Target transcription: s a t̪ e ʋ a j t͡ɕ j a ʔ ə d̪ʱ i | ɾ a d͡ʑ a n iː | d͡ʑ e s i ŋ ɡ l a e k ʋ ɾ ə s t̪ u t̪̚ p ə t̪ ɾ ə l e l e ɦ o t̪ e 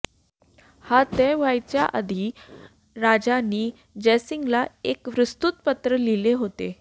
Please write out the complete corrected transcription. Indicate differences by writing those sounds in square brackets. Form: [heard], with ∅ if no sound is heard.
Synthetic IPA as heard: [h] a t̪ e ʋ a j t͡ɕ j a ʔ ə d̪ʱ i | ɾ a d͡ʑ a n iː | d͡ʑ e s i ŋ ɡ l a e k ʋ ɾ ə s t̪ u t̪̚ p ə t̪ ɾ ə l [i] l e ɦ o t̪ e

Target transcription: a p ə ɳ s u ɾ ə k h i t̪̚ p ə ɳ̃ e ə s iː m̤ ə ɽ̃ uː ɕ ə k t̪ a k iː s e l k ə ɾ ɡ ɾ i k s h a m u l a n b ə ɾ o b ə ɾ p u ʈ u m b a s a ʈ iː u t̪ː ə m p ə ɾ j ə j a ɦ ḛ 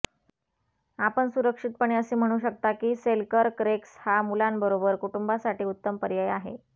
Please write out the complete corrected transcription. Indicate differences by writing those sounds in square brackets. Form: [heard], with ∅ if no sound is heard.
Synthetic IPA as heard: a p ə ɳ s u ɾ ə k [ʂ] i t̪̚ p ə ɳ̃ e ə s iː m̤ ə ɽ̃ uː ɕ ə k t̪ a k iː s e l k ə ɾ [k] ɾ [e] k s h a m u l a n b ə ɾ o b ə ɾ [k] u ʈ u m b a s a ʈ iː u t̪ː ə m p ə ɾ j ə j a ɦ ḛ

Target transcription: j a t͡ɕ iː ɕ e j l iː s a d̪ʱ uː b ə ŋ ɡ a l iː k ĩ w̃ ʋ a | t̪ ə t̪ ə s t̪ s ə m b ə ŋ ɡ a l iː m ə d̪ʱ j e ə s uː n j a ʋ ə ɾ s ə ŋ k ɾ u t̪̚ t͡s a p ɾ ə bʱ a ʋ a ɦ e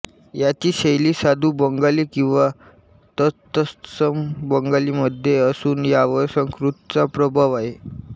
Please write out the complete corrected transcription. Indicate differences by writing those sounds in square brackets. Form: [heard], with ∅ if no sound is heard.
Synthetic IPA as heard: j a t͡ɕ iː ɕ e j l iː s a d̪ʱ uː b ə ŋ ɡ a l iː k ĩ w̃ ʋ a | t̪ ə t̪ ə s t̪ s ə m b ə ŋ ɡ a l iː m ə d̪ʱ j e ə s uː n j a ʋ ə ɾ s ə ŋ k ɾ u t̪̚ t͡s a p ɾ ə bʱ a ʋ a ɦ e

